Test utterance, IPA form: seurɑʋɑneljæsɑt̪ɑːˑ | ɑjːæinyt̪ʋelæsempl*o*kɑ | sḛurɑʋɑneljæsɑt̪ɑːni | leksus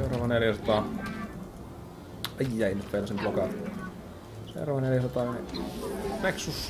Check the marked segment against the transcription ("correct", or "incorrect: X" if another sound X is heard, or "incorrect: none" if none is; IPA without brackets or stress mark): correct